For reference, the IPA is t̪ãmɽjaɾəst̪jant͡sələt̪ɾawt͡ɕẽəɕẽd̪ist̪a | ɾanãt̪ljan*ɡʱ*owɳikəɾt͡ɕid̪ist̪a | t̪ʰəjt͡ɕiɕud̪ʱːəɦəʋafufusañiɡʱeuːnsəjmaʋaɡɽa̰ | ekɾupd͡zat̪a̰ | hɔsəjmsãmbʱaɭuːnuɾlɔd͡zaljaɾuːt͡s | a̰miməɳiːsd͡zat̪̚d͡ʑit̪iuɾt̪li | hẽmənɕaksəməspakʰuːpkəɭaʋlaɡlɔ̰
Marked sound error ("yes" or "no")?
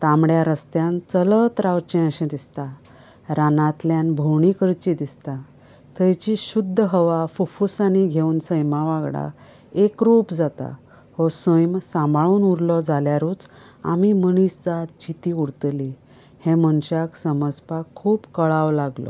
yes